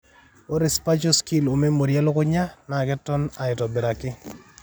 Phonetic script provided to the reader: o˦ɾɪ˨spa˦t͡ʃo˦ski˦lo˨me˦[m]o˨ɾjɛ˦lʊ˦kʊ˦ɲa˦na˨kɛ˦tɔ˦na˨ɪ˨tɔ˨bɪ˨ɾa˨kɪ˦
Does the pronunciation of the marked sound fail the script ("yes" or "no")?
no